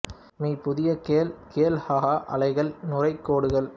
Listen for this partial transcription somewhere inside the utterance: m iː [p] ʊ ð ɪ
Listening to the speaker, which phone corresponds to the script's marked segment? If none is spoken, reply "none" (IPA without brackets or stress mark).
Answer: p